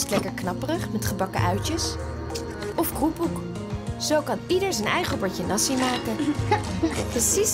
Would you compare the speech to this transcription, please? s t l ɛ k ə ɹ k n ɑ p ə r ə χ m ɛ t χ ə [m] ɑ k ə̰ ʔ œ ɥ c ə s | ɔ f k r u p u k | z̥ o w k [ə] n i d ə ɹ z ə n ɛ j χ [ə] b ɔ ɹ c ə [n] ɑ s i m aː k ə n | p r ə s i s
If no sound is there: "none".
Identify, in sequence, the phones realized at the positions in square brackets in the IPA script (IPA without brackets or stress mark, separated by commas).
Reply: b, ɑ, ə, n